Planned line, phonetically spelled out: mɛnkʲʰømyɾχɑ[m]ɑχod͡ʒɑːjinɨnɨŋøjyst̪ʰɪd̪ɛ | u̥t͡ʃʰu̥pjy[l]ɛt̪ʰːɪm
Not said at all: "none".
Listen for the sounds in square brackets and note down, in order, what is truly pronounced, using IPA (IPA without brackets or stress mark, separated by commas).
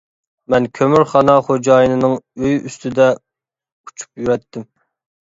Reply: n, ɾ